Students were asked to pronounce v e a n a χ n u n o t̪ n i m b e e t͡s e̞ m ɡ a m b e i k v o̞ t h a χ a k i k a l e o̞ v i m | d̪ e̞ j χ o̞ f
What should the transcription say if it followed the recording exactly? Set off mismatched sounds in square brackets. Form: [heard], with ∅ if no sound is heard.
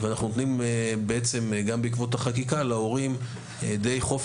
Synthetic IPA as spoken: v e a n a χ n u n o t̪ n i m b e e t͡s e̞ m ɡ a m b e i k v o̞ t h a χ a k i k a l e o̞ [ʁ] i m | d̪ e̞ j χ o̞ f